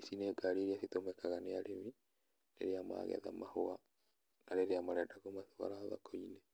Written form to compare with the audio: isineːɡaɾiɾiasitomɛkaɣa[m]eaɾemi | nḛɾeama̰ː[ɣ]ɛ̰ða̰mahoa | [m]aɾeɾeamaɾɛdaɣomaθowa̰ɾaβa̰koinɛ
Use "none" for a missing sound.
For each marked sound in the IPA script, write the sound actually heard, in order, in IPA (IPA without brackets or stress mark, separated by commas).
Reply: n, ɣ, n